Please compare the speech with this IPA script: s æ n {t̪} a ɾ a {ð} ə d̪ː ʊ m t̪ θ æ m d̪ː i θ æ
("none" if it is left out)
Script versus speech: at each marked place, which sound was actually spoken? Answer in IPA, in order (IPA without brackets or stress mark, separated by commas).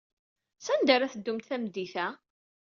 d̪, θ